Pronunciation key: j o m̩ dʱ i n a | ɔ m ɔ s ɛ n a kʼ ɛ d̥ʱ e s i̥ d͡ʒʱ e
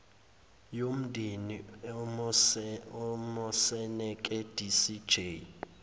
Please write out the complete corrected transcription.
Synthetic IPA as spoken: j o m̩ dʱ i n i | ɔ m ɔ s ɛ n ɛ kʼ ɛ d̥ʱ i s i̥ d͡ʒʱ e